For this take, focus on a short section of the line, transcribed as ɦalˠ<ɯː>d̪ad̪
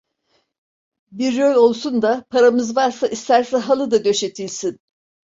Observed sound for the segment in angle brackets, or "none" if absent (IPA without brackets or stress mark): ɯ